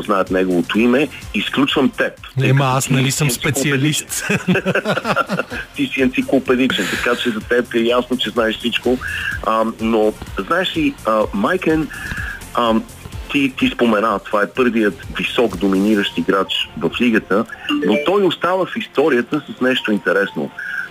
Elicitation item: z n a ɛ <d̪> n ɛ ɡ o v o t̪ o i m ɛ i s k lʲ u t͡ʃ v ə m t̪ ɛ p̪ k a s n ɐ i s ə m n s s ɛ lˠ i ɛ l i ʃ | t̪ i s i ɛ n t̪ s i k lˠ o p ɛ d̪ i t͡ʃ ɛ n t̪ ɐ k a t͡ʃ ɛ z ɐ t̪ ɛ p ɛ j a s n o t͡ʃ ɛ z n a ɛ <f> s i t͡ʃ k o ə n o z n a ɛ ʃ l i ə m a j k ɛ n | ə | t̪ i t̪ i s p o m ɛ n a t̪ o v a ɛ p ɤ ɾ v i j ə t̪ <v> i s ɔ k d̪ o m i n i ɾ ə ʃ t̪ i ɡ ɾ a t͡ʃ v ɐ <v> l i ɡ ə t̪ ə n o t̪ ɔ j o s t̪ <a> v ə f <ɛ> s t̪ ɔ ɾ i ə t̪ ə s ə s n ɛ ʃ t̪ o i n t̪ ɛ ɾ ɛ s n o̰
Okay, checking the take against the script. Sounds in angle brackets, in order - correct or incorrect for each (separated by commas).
incorrect, incorrect, correct, incorrect, correct, incorrect